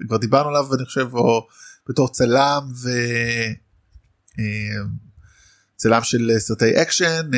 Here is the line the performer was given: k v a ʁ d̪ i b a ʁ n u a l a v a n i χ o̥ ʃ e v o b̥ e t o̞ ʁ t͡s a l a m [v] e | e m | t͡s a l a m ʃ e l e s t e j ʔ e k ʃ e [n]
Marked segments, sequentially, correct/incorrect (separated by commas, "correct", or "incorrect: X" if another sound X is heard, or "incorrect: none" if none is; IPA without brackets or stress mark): correct, correct